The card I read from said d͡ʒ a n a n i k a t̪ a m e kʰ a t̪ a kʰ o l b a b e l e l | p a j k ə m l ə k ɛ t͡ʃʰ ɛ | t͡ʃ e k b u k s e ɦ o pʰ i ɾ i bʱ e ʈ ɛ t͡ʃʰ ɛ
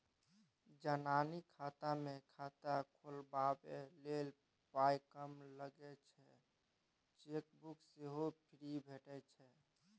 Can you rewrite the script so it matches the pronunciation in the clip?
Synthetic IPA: d͡ʒ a n a n i kʰ a t̪ a m e kʰ a t̪ a kʰ o l b a b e l e l | p a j k ə m l ə ɡ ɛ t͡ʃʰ ɛ | t͡ʃ e k b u k s e ɦ o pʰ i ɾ i bʱ e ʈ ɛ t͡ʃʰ ɛ